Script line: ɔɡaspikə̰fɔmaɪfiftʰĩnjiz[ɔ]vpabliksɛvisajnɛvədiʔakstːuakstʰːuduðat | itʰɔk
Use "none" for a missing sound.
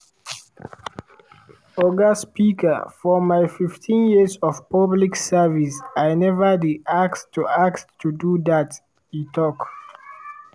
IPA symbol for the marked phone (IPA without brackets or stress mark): ɔ